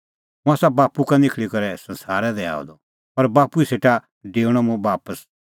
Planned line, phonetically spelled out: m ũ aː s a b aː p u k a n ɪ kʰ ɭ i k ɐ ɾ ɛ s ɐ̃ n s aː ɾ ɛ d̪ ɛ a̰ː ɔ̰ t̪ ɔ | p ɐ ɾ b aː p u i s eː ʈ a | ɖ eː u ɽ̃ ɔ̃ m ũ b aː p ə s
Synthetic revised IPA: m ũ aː s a b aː p u k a n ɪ kʰ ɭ i k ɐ ɾ ɛ s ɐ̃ n s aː ɾ ɛ d̪ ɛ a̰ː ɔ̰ d̪ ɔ | p ɐ ɾ b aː p u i s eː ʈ a | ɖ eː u ɽ̃ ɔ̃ m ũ b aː p ə s